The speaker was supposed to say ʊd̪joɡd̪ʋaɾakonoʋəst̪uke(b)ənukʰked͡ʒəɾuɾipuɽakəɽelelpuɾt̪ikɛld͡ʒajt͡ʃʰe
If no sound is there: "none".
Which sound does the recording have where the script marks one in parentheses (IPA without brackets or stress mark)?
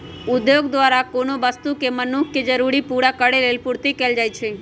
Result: m